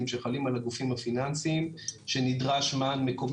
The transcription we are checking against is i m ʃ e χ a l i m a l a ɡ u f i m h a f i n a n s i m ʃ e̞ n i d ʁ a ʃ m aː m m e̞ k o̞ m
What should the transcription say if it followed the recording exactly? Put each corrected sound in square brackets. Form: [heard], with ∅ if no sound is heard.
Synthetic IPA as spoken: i m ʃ e χ a l i m a l a ɡ u f i m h a f i n a n s i m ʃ e̞ n i d ʁ a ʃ m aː [n] m e̞ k o̞ m